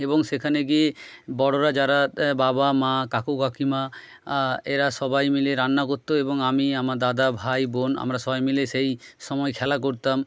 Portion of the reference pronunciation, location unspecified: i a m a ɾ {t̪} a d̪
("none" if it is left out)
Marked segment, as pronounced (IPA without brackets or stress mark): d̪